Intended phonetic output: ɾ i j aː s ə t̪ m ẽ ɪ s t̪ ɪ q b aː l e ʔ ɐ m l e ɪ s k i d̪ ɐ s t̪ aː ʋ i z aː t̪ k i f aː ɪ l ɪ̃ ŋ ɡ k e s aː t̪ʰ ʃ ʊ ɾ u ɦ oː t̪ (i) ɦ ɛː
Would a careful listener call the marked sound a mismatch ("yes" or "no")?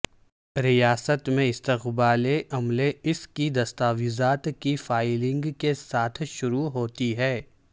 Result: no